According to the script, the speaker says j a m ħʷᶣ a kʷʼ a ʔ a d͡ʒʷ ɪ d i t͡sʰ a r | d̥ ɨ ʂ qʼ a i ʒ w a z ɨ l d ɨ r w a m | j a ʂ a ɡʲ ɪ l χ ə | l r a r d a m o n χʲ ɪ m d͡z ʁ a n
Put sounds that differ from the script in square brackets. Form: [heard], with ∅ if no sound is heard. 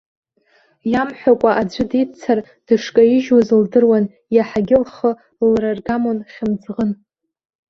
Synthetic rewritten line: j a m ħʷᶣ a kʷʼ a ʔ a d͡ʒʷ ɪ d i t͡sʰ a r | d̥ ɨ ʂ [kʼ] a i ʒ w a z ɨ l d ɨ r w a [n] | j a [ħ] a ɡʲ ɪ l χ ə | l r a r [ɡ] a m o n χʲ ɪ m d͡z ʁ [ə] n